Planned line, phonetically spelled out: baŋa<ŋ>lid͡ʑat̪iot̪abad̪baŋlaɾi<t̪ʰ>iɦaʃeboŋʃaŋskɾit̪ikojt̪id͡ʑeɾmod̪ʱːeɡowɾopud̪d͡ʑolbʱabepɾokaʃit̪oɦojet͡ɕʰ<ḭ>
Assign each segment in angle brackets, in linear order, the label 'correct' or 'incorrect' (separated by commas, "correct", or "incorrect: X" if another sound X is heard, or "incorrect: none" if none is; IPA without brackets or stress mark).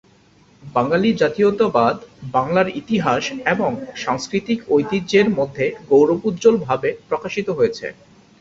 incorrect: none, incorrect: t̪, incorrect: ḛ